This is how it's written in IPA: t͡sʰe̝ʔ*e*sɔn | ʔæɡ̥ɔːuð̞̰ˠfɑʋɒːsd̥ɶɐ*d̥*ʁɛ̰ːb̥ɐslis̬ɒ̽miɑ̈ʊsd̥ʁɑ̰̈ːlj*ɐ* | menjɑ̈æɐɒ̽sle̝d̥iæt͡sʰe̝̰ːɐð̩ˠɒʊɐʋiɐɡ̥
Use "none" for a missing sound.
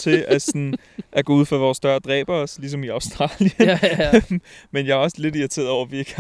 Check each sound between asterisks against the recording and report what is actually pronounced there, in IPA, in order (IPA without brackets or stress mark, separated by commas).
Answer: æ, d̥, ə